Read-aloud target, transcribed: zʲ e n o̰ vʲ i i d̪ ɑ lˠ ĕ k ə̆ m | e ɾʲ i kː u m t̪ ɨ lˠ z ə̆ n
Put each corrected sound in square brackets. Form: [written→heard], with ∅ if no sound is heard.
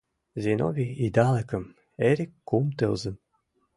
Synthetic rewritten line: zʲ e n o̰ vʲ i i d̪ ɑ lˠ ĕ k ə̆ m | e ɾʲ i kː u m t̪ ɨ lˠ z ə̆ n